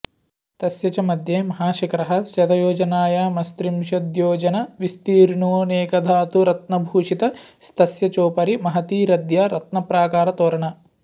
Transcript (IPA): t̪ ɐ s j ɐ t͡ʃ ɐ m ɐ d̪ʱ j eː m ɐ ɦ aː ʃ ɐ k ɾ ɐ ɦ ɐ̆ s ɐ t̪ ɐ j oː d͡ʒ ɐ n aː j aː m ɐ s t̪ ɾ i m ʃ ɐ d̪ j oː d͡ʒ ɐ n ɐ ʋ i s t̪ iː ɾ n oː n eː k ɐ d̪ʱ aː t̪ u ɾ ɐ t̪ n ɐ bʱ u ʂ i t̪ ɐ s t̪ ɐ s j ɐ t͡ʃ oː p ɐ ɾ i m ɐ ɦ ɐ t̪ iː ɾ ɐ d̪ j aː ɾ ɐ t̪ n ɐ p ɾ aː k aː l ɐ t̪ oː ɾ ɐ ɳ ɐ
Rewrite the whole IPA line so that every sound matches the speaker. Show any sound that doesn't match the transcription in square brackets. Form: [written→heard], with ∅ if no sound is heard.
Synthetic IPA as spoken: t̪ ɐ s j ɐ t͡ʃ ɐ m ɐ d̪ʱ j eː m ɐ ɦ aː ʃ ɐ k ɾ ɐ ɦ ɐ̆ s ɐ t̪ ɐ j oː d͡ʒ ɐ n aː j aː m ɐ s t̪ ɾ i m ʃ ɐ d̪ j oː d͡ʒ ɐ n ɐ ʋ i s t̪ iː ɾ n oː n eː k ɐ d̪ʱ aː t̪ u ɾ ɐ t̪ n ɐ bʱ [u→uː] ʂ i t̪ ɐ s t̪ ɐ s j ɐ t͡ʃ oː p ɐ ɾ i m ɐ ɦ ɐ t̪ iː ɾ ɐ d̪ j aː ɾ ɐ t̪ n ɐ p ɾ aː k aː [l→ɾ] ɐ t̪ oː ɾ ɐ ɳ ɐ